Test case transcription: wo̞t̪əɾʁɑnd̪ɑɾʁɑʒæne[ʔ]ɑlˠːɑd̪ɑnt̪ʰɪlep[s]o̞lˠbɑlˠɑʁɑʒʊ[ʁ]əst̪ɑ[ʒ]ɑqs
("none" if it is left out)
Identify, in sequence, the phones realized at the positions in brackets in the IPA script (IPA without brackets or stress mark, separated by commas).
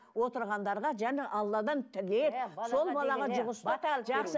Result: ʔ, s, ʁ, ʒ